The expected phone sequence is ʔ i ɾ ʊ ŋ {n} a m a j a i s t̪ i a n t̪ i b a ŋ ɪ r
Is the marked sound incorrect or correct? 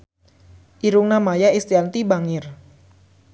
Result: correct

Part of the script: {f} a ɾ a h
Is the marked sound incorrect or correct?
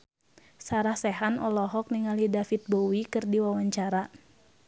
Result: incorrect: s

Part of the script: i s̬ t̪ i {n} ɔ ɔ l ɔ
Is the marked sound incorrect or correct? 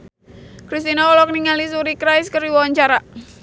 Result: correct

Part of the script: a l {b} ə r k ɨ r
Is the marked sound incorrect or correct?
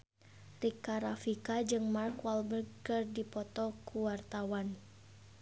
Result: correct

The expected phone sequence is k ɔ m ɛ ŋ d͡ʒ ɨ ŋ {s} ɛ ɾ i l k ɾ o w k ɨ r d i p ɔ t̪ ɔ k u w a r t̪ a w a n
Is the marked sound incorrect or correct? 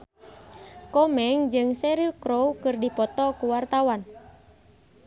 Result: correct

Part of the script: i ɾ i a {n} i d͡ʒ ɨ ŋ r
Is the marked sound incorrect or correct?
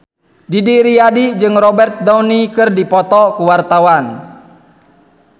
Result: incorrect: d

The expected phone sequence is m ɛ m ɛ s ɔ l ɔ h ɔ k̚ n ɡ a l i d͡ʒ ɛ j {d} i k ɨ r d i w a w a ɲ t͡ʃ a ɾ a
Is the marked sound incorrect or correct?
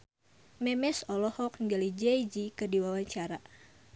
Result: incorrect: d͡ʒ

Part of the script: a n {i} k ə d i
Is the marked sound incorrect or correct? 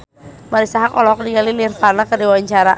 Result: incorrect: a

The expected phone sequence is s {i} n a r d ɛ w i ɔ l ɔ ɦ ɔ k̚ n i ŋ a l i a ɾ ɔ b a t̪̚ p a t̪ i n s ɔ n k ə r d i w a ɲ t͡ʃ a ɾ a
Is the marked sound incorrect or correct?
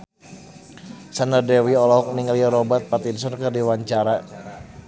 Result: incorrect: a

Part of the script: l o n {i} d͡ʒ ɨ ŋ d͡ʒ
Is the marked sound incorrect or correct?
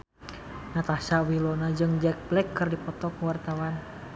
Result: incorrect: a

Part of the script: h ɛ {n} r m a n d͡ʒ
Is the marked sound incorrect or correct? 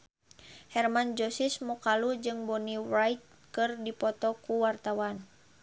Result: incorrect: none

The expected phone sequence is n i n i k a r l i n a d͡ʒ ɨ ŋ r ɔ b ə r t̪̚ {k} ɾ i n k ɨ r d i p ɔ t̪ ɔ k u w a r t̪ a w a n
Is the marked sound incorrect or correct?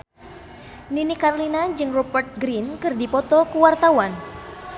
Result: incorrect: ɡ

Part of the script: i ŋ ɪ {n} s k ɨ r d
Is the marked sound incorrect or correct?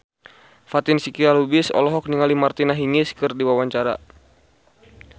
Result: incorrect: none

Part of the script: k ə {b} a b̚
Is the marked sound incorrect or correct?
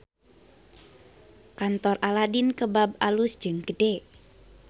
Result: correct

